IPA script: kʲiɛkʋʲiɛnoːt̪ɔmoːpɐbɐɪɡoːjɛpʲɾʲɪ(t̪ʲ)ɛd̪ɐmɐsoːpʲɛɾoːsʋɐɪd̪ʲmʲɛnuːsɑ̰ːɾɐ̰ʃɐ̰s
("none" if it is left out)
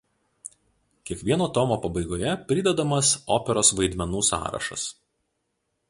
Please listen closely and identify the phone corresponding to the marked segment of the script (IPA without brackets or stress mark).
d̪ʲ